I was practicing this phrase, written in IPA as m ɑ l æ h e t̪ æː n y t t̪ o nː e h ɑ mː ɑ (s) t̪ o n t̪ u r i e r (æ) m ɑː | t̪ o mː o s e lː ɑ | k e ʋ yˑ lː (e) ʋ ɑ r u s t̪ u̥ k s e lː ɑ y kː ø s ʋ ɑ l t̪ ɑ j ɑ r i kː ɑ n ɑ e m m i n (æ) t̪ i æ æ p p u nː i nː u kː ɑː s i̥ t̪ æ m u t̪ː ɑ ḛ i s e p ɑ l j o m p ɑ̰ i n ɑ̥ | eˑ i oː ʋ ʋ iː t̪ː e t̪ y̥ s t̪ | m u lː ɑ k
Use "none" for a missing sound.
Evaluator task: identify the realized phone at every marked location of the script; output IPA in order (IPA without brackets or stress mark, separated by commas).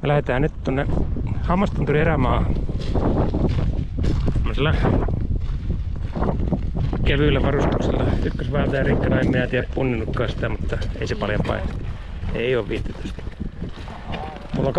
s, æ, æ, æ